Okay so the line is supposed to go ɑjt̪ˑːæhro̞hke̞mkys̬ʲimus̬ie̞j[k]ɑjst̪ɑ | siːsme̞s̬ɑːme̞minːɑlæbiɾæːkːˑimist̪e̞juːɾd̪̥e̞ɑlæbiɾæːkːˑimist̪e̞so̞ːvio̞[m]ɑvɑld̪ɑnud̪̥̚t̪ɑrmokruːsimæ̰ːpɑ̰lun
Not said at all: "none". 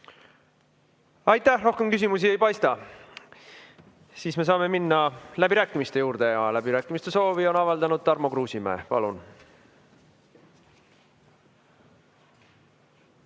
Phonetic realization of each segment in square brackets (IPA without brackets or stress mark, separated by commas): p, n